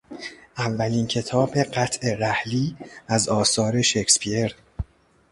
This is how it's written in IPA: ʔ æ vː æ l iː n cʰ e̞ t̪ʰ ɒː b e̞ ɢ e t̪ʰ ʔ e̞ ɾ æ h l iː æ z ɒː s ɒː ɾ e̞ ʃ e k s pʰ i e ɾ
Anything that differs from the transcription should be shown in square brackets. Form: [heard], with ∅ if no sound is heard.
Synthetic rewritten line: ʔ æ vː æ l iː n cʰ e̞ t̪ʰ ɒː b e̞ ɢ [æ] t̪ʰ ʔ e̞ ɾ æ h l iː æ z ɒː s ɒː ɾ e̞ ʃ e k s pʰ i e ɾ

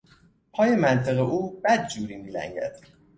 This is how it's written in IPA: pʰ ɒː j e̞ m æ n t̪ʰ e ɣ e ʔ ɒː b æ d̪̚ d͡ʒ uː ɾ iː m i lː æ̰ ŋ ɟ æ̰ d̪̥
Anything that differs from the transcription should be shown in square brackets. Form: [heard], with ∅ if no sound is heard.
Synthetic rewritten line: pʰ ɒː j e̞ m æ n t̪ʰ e ɣ e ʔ [uː] b æ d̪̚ d͡ʒ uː ɾ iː m i [l] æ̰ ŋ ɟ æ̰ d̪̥

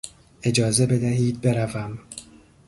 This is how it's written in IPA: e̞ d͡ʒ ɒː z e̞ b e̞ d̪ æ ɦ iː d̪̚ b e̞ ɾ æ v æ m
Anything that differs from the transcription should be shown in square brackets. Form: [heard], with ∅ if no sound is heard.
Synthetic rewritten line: e̞ d͡ʒ ɒː z e̞ b e̞ d̪ æ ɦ iː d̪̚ b e̞ ɾ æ v æ m

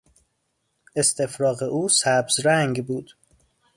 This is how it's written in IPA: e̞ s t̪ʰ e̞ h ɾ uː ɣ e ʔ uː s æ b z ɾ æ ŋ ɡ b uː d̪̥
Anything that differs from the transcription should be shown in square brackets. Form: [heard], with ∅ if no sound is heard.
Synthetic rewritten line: e̞ s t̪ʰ e̞ [f] ɾ [ɒː] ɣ e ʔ uː s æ b z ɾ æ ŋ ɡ b uː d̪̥

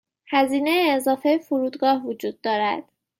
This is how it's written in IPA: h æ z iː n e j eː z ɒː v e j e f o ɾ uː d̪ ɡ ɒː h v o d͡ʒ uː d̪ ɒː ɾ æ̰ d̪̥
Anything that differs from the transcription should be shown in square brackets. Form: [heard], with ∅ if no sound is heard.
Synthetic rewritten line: h æ z iː n e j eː z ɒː [f] e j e f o ɾ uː d̪ ɡ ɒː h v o d͡ʒ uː [d̪ː] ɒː ɾ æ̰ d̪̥

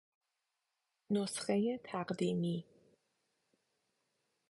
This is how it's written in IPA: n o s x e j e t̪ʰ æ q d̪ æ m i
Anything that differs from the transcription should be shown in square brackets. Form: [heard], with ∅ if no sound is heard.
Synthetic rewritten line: n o s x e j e t̪ʰ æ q d̪ [i] m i

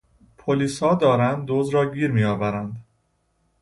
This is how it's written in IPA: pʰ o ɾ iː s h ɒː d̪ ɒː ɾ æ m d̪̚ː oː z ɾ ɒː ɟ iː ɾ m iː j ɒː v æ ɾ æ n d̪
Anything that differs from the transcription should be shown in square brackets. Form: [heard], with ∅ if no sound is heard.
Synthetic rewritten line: pʰ o [l] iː s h ɒː d̪ ɒː ɾ æ [n] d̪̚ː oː z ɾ ɒː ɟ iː ɾ m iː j ɒː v æ ɾ æ n d̪

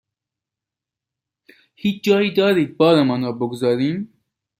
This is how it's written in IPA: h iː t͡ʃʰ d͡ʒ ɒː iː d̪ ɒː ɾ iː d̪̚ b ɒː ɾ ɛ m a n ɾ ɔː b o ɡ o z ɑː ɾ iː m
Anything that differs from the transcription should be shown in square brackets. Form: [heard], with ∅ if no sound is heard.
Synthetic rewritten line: h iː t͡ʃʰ d͡ʒ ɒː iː d̪ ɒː ɾ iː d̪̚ b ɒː ɾ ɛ m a n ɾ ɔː b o ɡ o z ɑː ɾ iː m

